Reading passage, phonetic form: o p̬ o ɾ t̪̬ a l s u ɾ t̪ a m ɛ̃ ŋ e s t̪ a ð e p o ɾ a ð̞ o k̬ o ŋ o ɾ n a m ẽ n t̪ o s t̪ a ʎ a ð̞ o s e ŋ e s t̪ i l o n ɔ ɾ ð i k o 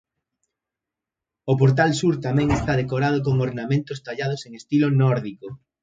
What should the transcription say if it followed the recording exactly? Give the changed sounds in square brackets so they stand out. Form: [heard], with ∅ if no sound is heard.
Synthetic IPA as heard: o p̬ o ɾ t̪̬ a l s u ɾ t̪ a m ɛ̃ ŋ e s t̪ a ð e [k] o ɾ a ð̞ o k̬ o ŋ o ɾ n a m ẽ n t̪ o s t̪ a ʎ a ð̞ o s e ŋ e s t̪ i l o n ɔ ɾ ð i k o